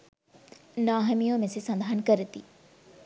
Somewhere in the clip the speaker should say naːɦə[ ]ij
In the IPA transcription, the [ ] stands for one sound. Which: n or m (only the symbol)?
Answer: m